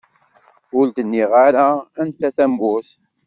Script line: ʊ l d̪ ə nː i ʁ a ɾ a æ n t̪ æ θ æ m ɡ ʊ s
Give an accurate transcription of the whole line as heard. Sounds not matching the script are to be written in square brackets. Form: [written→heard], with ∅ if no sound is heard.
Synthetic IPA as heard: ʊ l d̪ ə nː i ʁ a ɾ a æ n t̪ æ θ æ m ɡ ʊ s